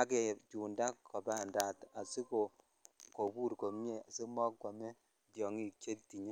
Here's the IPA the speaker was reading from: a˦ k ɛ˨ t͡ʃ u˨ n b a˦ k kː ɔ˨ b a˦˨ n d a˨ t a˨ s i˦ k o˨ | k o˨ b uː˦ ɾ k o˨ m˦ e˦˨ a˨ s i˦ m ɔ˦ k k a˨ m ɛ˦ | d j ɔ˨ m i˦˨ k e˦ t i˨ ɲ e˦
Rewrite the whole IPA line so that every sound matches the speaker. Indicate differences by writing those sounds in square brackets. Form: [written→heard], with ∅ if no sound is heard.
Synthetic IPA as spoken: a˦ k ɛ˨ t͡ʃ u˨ n [b→d] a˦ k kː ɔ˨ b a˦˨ n d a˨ t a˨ s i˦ k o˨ | k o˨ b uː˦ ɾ k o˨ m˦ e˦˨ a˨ s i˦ m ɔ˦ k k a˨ m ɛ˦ | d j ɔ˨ [m→ŋ] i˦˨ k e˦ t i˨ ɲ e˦

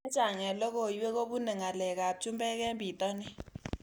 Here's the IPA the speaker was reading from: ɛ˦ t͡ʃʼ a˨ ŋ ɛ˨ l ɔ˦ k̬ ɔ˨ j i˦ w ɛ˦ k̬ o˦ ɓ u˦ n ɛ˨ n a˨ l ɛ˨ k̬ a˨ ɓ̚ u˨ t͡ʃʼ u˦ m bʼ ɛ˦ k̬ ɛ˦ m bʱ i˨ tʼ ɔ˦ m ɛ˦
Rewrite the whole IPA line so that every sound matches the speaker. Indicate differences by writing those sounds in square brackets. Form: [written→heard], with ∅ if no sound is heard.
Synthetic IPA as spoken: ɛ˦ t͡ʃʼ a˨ ŋ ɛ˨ l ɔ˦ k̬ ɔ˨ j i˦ w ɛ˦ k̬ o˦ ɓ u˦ n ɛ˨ [n→ŋ] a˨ l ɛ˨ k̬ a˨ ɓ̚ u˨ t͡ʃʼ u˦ m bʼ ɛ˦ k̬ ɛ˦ m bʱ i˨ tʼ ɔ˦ [m→n] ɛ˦

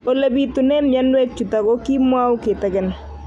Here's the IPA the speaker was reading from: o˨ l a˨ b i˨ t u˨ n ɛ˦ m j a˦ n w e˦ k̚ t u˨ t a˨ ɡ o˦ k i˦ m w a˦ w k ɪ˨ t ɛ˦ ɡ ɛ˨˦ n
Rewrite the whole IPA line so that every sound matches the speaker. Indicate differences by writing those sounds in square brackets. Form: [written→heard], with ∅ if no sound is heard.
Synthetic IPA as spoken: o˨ l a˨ b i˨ t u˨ n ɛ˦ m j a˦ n w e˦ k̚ [t→t͡ʃ] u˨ t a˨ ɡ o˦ k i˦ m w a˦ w k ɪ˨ t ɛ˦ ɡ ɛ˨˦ n

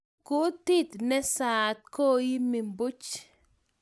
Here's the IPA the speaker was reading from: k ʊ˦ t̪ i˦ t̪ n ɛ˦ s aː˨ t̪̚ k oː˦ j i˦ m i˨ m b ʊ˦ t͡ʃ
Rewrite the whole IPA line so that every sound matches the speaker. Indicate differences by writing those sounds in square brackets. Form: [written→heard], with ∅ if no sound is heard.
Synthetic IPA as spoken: k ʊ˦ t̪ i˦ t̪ n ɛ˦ s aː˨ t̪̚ k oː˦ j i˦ m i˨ m b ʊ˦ t͡ʃ

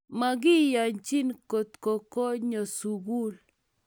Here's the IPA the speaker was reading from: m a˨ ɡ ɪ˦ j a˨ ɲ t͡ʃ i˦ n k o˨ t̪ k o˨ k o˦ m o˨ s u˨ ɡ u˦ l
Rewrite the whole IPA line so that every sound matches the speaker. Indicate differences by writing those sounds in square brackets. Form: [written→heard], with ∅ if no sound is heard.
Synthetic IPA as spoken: m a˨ ɡ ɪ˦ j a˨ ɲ t͡ʃ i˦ n k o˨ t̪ k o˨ k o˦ [m→ɲ] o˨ s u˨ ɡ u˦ l

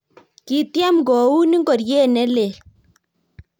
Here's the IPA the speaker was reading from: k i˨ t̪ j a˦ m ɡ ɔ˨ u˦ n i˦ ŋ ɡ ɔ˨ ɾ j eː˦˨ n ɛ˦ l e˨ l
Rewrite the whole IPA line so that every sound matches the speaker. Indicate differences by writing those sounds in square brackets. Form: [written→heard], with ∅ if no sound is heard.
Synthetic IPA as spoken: k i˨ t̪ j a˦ m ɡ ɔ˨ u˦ n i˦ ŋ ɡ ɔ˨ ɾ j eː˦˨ n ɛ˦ l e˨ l

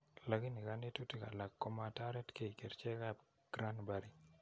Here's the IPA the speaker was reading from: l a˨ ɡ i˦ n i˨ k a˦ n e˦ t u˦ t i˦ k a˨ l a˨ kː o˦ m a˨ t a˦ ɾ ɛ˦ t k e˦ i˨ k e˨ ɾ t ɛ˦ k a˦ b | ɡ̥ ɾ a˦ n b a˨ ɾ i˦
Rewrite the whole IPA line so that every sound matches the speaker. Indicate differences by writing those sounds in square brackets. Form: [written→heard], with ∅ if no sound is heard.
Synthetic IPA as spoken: l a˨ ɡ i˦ n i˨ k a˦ n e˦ t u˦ t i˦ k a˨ l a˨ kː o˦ m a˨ t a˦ ɾ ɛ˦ t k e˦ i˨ k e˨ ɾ [t→t͡ʃ] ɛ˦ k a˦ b | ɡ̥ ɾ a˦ n b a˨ ɾ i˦

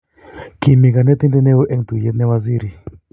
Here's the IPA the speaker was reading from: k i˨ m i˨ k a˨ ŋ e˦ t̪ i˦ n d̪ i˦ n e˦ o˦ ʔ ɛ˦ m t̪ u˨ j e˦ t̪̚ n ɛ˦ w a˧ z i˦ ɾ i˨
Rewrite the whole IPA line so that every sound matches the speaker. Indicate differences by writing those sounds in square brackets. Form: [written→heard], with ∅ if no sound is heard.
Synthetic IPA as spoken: k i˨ m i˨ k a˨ [ŋ→n] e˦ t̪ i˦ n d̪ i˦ n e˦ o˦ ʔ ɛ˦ [m→ŋ] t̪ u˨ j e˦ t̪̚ n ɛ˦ w a˧ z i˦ ɾ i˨

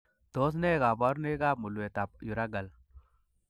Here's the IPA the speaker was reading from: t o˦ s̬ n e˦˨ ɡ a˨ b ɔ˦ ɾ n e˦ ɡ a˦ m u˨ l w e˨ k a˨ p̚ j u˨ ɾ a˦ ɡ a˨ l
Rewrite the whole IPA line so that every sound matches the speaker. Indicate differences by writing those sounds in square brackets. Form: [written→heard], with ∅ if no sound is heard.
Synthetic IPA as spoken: t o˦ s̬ n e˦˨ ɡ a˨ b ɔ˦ ɾ n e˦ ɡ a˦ m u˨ l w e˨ [k→t] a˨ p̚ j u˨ ɾ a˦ ɡ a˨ l

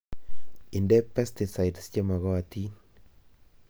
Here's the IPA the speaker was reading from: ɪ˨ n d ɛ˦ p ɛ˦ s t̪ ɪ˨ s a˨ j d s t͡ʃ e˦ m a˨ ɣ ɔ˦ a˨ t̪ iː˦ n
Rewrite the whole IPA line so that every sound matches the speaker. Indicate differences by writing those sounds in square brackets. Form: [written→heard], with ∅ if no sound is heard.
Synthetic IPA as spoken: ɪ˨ n d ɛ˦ p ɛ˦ s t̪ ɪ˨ s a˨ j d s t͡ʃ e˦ m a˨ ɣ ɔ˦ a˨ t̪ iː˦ n

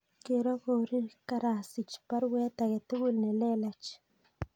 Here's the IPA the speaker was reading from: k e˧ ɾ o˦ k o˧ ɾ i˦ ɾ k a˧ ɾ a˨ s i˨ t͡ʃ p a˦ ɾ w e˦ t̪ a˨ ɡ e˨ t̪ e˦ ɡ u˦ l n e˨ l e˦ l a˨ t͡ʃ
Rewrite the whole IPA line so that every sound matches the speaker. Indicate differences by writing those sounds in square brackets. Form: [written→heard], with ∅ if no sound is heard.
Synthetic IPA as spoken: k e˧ ɾ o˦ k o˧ ɾ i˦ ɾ k a˧ ɾ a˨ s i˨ t͡ʃ p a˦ ɾ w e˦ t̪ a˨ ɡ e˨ t̪ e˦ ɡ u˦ l n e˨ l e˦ l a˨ t͡ʃ

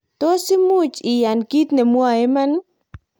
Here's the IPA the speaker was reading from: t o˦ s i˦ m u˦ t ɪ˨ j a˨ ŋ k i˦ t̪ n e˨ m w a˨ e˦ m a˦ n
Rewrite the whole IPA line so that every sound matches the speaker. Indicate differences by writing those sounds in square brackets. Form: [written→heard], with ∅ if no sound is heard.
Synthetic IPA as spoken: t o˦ s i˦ m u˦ [t→t͡ʃ] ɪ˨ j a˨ [ŋ→n] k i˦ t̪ n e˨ m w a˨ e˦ m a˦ n

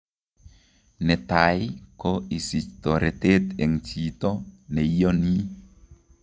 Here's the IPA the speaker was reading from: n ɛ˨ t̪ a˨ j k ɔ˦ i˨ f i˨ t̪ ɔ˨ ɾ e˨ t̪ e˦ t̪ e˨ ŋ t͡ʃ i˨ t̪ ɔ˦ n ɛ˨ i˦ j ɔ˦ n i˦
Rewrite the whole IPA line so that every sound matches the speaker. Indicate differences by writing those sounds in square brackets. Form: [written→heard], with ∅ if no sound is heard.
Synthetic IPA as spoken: n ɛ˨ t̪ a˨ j k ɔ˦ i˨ [f→s] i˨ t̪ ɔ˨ ɾ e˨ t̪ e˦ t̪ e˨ ŋ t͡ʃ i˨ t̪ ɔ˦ n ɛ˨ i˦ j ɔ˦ n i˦

